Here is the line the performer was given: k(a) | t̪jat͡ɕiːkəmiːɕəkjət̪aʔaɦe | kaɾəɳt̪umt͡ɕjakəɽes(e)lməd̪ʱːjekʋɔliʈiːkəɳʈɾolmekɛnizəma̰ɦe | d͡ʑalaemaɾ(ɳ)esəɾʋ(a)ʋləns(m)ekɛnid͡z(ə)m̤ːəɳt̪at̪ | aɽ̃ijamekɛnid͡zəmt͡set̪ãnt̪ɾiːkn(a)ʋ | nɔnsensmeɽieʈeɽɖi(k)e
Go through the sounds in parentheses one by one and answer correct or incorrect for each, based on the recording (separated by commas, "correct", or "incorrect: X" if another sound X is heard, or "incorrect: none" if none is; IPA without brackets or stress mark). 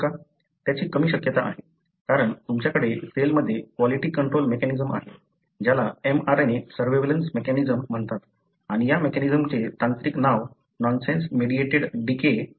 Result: correct, correct, incorrect: n, incorrect: e, correct, correct, correct, correct